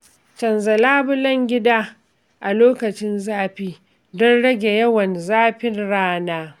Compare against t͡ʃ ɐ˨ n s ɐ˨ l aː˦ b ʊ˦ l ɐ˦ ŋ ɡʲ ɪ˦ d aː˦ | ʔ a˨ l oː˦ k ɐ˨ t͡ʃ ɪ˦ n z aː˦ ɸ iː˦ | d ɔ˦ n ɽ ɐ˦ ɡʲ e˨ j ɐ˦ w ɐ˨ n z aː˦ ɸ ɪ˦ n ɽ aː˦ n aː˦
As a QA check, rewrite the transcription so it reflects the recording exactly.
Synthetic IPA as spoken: t͡ʃ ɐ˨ n z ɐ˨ l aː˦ b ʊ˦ l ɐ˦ ŋ ɡʲ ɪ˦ d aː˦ | ʔ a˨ l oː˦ k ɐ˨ t͡ʃ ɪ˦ n z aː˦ ɸ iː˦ | d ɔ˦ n ɽ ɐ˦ ɡʲ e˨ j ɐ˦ w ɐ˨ n z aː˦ ɸ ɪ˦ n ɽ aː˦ n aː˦